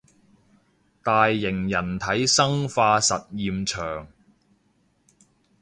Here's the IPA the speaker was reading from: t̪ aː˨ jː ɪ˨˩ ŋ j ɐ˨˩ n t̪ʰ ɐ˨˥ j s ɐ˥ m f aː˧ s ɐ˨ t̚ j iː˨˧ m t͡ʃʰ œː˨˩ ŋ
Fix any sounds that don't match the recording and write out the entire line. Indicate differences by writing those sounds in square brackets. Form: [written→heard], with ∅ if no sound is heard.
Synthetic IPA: t̪ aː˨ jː ɪ˨˩ ŋ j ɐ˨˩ n t̪ʰ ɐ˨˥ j s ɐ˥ [m→ŋ] f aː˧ s ɐ˨ t̚ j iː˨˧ m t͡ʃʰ œː˨˩ ŋ